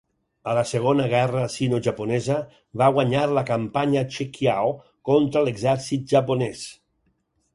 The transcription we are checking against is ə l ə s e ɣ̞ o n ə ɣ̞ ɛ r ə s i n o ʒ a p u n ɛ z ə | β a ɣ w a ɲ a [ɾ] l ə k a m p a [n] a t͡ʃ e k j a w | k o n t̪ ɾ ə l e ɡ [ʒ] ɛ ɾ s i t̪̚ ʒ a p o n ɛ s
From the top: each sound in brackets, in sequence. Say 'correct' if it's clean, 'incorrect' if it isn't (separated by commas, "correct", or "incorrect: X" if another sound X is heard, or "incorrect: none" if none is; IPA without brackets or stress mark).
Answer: correct, incorrect: ɲ, incorrect: z